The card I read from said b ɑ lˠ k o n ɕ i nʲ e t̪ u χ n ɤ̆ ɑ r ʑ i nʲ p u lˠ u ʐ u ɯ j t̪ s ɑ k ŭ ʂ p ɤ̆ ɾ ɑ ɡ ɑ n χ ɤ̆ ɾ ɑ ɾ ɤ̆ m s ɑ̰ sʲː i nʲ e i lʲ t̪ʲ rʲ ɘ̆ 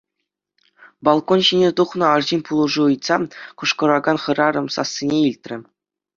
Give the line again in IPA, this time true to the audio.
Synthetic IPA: b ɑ lˠ k o n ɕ i nʲ e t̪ u χ n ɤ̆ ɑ r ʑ i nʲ p u lˠ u ʐ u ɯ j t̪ s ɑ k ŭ ʂ k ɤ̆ ɾ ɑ ɡ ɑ n χ ɤ̆ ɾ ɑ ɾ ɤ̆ m s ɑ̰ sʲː i nʲ e i lʲ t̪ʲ rʲ ɘ̆